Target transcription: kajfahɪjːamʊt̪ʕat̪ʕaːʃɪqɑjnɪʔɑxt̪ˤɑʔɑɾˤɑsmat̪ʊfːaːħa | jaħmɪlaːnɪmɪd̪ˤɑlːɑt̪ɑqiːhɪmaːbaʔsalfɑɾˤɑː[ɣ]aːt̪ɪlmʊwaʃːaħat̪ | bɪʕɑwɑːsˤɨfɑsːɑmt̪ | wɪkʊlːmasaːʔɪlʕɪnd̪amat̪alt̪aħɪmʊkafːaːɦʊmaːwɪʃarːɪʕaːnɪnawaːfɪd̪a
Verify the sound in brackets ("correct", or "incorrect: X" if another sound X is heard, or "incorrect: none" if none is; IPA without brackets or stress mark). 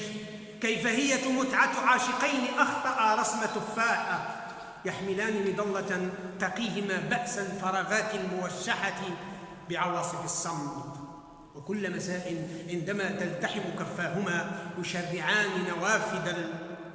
correct